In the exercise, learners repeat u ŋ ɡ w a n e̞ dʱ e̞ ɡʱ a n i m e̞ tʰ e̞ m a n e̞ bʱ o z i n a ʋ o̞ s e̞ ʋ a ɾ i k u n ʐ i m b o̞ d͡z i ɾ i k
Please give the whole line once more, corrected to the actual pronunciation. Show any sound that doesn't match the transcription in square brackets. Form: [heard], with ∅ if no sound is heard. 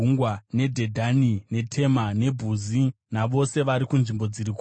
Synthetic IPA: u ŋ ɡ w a n e̞ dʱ e̞ [dʱ] a n i [n] e̞ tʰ e̞ m a n e̞ bʱ [u] z i n a ʋ o̞ s e̞ ʋ a ɾ i k u n ʐ i m b o̞ d͡z i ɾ i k